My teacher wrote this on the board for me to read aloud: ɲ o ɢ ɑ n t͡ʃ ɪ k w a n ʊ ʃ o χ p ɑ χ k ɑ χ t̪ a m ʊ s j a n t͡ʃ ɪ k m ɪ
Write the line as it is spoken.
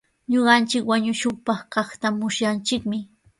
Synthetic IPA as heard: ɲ o ɢ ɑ n t͡ʃ ɪ k w a ɲ ʊ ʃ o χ p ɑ χ k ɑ χ t̪ a m ʊ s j a n t͡ʃ ɪ k m ɪ